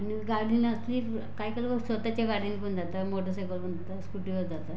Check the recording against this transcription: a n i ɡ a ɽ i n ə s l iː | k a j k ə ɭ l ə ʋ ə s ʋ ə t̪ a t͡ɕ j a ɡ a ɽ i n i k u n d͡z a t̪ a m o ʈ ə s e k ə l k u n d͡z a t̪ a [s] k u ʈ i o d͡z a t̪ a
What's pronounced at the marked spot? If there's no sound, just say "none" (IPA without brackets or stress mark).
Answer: s